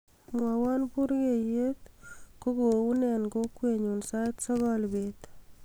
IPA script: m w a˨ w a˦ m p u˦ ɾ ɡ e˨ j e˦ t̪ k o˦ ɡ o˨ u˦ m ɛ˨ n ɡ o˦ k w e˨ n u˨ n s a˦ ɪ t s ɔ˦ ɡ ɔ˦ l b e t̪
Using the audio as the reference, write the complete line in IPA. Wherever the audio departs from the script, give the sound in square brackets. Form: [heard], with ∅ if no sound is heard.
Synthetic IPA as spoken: m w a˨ w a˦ [n] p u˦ ɾ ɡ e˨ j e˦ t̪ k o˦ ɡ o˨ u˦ [n] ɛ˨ n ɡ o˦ k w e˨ [ɲ] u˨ n s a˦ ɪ t s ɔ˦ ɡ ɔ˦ l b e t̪